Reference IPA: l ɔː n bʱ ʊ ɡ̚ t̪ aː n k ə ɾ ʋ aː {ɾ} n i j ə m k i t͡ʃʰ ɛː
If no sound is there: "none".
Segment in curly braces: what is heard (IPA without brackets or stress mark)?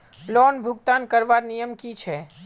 ɾ